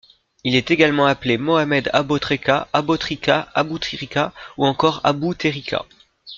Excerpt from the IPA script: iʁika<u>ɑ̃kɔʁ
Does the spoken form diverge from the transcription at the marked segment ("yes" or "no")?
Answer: no